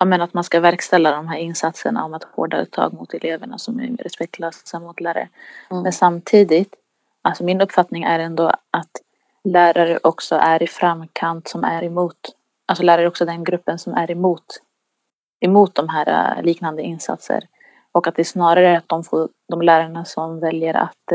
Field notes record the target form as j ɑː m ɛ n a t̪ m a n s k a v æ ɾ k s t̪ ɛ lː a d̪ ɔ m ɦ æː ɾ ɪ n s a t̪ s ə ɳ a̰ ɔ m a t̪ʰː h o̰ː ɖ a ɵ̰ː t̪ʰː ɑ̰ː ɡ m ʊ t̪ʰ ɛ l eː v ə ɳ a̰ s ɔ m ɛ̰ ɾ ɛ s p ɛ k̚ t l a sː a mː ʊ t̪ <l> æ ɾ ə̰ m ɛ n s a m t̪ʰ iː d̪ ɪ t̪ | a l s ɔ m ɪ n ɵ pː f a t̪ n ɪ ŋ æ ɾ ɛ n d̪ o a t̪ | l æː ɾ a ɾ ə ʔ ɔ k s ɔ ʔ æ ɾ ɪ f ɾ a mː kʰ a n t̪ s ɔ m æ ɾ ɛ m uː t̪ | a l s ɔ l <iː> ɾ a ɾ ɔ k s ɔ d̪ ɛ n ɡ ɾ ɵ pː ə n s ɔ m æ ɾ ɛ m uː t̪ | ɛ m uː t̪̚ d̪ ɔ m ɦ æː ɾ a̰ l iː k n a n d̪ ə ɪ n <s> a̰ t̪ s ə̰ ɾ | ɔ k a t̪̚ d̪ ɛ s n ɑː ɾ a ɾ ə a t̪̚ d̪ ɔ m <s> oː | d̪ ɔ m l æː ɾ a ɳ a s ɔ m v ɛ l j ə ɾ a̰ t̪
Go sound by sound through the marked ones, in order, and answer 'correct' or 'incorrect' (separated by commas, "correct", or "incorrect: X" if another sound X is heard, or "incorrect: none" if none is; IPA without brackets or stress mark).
correct, incorrect: æː, correct, incorrect: f